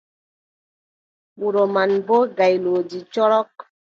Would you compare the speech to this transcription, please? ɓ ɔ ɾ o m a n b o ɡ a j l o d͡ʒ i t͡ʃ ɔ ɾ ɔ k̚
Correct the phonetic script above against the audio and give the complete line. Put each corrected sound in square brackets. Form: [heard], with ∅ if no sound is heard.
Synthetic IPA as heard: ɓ [u] ɾ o m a n b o ɡ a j l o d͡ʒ i t͡ʃ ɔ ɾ ɔ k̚